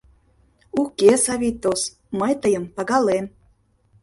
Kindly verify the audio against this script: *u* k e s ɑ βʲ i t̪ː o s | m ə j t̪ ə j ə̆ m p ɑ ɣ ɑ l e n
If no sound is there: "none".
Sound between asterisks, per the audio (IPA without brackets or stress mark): u